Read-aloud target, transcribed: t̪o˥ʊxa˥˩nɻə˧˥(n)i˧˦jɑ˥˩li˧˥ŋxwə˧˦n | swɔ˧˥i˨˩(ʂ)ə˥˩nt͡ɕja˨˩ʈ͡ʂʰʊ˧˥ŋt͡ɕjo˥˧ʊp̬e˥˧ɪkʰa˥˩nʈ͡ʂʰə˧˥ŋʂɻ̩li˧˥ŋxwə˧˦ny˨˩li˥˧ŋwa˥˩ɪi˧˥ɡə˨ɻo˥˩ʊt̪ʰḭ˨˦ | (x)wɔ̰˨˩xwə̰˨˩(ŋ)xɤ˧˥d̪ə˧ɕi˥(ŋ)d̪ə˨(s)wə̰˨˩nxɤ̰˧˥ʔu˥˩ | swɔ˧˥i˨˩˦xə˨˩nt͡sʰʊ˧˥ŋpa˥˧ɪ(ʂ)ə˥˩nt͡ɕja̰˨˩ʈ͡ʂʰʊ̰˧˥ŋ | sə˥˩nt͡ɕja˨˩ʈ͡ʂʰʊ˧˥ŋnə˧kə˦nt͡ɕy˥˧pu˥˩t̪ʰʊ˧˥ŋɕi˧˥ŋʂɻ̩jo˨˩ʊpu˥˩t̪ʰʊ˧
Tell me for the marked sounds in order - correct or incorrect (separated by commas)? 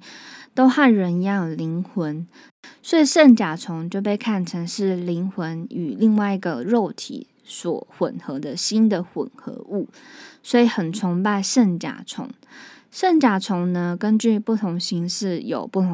correct, correct, incorrect, incorrect, incorrect, incorrect, correct